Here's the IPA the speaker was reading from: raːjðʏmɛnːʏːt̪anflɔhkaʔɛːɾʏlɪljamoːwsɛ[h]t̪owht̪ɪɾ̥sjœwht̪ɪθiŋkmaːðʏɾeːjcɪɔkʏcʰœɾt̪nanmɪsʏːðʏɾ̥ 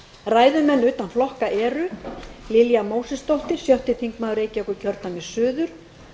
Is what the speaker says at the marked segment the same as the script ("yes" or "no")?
no